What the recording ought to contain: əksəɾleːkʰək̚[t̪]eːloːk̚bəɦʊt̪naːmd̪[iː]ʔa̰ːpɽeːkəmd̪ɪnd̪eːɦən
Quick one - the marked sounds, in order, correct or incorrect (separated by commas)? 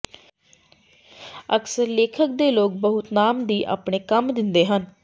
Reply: incorrect, correct